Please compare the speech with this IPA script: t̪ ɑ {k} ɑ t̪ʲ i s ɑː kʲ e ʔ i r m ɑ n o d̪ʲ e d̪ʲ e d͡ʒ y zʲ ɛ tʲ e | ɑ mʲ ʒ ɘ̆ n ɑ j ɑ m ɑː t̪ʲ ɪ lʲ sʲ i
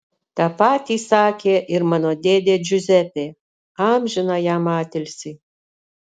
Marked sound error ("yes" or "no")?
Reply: yes